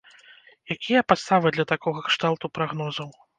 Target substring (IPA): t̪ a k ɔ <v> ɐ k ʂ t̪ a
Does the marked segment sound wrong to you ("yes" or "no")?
yes